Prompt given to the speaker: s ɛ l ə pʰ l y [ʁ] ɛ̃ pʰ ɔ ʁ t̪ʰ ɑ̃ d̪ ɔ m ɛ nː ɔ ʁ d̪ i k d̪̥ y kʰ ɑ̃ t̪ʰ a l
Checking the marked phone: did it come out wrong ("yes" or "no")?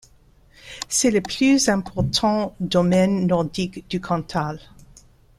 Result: yes